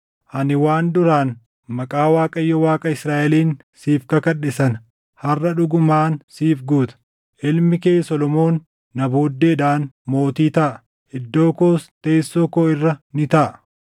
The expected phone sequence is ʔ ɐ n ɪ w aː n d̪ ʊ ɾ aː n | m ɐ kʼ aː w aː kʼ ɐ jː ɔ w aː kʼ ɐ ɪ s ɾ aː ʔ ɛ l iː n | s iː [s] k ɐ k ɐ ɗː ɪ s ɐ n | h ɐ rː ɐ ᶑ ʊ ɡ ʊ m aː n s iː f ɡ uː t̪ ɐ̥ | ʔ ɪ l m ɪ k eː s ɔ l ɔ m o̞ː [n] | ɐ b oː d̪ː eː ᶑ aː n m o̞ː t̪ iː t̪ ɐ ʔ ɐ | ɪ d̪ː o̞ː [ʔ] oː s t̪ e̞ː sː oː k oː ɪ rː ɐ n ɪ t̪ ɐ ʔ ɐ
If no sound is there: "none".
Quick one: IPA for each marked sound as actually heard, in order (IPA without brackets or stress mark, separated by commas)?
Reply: f, nː, k